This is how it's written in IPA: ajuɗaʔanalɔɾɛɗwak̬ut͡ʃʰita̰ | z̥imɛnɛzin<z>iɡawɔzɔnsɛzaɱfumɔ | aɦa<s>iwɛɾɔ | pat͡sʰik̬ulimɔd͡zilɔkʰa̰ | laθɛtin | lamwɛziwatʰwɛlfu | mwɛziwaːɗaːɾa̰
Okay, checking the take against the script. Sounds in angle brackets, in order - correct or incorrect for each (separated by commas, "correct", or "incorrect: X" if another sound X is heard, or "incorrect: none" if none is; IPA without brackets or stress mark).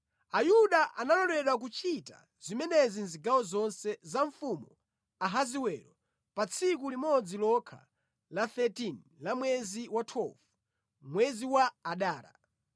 correct, incorrect: z